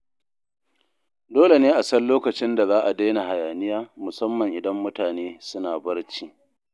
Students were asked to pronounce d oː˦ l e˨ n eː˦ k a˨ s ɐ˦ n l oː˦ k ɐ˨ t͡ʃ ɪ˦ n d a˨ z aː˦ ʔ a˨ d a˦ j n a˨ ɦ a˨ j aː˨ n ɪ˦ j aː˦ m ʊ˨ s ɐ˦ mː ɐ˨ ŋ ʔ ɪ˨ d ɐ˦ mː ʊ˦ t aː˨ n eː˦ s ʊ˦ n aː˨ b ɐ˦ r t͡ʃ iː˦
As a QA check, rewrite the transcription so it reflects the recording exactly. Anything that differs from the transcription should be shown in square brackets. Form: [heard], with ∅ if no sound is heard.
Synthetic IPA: d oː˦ l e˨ n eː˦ [ʔ] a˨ s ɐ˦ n l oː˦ k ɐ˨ t͡ʃ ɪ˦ n d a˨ z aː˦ ʔ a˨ d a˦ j n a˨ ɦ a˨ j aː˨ n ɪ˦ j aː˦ m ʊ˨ s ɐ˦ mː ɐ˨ ŋ ʔ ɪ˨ d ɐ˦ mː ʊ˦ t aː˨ n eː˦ s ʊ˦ n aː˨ b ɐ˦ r t͡ʃ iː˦